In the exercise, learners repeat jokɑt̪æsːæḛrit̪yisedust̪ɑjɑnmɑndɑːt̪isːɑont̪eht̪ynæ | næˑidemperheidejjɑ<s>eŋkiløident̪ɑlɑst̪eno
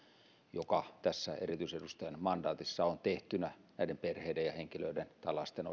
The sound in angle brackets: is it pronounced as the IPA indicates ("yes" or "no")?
no